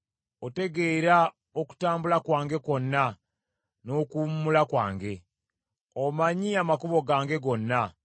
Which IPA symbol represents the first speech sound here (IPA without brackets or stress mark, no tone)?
o